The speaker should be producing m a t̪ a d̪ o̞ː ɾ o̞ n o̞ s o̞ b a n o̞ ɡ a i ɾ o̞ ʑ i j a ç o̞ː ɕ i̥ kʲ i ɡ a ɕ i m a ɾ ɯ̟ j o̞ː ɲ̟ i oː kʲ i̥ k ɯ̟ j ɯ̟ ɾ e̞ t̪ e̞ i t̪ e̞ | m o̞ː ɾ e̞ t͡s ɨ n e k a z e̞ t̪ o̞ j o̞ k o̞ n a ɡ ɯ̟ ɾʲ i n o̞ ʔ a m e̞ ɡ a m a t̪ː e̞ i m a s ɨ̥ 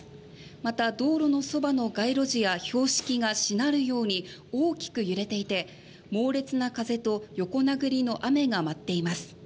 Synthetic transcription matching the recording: m a t̪ a d̪ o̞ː ɾ o̞ n o̞ s o̞ b a n o̞ ɡ a i ɾ o̞ ʑ i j a ç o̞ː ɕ i̥ kʲ i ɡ a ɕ i n a ɾ ɯ̟ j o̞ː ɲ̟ i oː kʲ i̥ k ɯ̟ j ɯ̟ ɾ e̞ t̪ e̞ i t̪ e̞ | m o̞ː ɾ e̞ t͡s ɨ n a k a z e̞ t̪ o̞ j o̞ k o̞ n a ɡ ɯ̟ ɾʲ i n o̞ ʔ a m e̞ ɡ a m a t̪ː e̞ i m a s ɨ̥